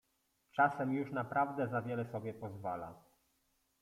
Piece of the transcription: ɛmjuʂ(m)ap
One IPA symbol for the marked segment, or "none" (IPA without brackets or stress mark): n